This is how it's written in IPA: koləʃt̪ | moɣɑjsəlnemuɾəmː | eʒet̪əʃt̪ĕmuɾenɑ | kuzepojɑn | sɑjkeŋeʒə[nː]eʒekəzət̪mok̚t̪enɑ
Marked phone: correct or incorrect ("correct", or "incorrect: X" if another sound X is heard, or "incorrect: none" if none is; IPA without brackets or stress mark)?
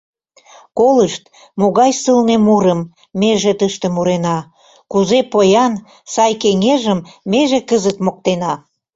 incorrect: mː